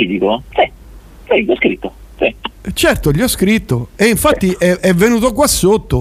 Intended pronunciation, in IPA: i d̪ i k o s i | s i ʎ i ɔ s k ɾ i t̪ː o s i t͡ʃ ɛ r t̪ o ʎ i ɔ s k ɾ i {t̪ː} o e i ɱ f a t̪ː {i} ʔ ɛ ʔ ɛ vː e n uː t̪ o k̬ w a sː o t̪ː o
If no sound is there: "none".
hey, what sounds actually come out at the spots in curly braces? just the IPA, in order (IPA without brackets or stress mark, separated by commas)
t̪ː, i